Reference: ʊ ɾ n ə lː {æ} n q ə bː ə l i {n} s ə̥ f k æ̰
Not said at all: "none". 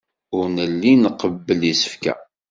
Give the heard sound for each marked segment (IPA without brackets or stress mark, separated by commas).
i, none